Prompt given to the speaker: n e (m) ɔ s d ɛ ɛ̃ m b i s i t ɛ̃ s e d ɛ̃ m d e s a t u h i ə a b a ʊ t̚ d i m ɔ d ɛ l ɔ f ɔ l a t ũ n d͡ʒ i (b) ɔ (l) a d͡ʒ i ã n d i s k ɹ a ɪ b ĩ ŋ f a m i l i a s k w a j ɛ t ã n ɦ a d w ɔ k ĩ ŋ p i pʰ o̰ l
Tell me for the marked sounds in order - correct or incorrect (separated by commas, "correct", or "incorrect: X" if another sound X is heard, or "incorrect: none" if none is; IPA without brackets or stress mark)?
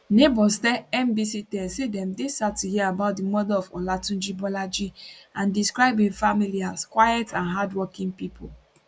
incorrect: b, correct, correct